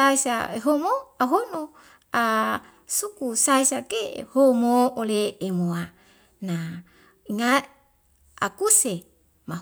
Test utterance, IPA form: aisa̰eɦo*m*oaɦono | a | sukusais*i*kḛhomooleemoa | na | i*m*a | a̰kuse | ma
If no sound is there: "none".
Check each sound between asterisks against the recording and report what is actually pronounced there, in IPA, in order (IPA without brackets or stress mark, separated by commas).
m, a, ŋ